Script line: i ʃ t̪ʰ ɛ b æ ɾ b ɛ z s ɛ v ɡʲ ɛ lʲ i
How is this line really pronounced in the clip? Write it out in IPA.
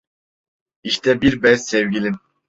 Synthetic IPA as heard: i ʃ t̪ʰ ɛ b i ɾ b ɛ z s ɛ v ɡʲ i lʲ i